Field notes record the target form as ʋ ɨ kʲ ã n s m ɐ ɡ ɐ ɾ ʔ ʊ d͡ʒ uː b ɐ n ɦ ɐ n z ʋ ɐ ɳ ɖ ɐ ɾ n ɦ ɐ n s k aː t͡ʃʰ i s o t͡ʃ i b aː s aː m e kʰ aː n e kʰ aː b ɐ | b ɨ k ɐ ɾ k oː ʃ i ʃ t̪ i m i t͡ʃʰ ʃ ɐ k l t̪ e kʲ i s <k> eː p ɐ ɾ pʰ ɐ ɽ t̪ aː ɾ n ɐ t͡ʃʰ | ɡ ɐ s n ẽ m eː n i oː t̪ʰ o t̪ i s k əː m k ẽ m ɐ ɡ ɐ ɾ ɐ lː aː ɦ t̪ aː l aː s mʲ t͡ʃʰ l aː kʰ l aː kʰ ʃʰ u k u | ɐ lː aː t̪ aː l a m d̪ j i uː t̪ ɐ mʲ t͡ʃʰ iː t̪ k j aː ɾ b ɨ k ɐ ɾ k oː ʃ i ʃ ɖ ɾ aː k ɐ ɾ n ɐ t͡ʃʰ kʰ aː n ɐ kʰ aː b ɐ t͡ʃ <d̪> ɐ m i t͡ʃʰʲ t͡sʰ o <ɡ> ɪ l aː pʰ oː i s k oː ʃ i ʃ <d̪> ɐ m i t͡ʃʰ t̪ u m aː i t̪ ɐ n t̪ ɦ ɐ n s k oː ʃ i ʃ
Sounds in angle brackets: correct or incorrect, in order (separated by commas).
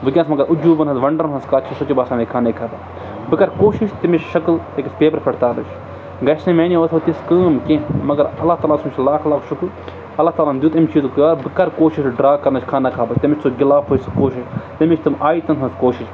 incorrect, incorrect, correct, incorrect